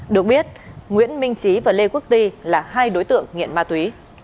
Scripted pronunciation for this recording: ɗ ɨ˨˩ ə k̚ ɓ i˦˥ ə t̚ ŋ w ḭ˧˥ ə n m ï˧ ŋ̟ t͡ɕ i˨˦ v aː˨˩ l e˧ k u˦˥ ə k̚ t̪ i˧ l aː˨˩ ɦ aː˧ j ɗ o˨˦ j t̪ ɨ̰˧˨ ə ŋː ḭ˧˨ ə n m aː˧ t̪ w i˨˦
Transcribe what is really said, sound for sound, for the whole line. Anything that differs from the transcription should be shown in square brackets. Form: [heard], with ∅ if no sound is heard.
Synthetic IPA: ɗ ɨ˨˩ ə k̚ ɓ i˦˥ ə t̚ ŋ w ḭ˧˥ ə n m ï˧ ŋ̟ t͡ɕ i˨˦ v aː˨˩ l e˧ k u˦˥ ə k̚ t̪ i˧ l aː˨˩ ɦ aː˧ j ɗ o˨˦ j t̪ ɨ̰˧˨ ə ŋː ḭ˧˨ ə n m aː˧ t̪ w i˨˦